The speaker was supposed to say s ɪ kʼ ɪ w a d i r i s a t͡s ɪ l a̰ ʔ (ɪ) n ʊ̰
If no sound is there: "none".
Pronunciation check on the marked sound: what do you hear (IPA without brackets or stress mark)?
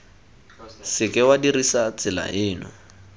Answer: ɪː